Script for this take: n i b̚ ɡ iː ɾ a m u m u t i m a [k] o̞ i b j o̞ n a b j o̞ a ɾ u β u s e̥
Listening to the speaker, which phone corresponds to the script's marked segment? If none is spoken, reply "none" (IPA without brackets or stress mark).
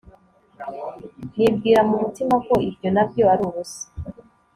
k